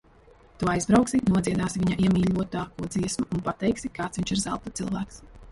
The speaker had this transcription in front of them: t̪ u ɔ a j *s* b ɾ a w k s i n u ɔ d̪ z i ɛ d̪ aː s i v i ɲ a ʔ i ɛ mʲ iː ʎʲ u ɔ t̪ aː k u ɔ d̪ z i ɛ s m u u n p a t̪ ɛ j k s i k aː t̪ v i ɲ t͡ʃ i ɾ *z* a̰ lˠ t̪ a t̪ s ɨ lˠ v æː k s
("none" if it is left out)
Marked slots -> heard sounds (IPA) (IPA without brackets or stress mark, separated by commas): z, z